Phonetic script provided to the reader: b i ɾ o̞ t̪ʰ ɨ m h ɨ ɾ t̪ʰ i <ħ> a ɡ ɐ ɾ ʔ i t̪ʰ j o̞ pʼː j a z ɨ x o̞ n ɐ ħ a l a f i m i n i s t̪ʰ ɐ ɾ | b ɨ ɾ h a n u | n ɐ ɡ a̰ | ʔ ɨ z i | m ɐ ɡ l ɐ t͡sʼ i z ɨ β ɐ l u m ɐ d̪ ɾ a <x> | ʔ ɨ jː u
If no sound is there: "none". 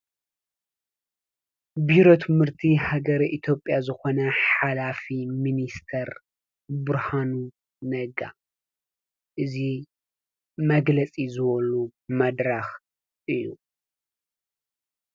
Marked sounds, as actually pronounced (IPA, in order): h, x

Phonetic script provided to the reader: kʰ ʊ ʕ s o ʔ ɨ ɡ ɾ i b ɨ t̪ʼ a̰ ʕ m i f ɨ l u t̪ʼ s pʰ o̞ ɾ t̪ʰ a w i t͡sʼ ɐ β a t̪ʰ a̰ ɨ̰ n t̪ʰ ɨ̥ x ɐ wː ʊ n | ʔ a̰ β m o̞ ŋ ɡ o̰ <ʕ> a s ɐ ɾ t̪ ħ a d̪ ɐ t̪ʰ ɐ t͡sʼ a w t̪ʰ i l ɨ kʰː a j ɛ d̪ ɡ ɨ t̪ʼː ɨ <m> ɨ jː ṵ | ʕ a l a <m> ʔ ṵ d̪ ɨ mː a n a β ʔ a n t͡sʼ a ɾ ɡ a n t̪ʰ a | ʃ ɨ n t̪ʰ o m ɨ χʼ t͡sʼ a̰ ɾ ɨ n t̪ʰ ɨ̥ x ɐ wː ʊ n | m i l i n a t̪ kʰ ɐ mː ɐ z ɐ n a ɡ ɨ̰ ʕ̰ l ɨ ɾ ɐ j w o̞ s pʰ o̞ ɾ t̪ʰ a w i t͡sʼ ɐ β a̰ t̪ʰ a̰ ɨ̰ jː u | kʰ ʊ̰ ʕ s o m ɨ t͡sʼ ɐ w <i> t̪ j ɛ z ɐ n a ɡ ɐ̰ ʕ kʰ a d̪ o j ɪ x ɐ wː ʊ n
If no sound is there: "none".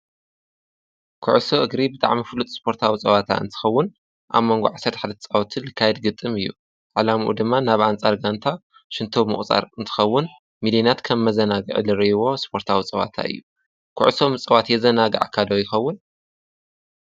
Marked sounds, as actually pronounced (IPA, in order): ʕ, m, m, a

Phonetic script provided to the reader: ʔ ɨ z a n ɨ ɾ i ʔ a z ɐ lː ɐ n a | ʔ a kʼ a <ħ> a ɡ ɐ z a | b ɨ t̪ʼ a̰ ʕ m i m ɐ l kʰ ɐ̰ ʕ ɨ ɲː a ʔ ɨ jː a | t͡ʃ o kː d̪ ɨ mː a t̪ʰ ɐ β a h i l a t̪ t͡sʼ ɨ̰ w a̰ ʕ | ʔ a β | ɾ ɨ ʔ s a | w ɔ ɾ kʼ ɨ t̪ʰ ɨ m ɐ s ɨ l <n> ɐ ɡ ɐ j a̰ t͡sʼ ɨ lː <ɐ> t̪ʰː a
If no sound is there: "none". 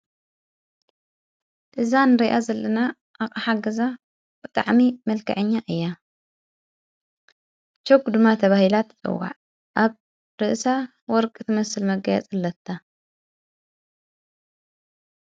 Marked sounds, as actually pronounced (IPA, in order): ħ, m, ɐ

